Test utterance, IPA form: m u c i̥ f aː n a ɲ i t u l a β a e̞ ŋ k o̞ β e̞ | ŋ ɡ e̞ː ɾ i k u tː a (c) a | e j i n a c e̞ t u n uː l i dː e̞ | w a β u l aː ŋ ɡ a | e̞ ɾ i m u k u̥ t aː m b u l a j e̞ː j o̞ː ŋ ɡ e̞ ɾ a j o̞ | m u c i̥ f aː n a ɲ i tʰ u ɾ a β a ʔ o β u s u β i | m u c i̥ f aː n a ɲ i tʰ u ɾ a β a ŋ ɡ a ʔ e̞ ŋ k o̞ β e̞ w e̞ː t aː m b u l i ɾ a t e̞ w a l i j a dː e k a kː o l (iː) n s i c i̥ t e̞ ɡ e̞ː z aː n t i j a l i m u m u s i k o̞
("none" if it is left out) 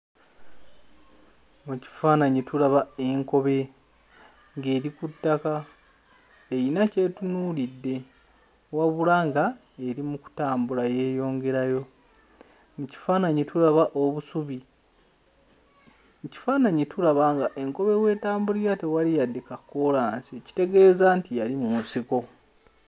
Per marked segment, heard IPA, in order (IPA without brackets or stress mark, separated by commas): k, aː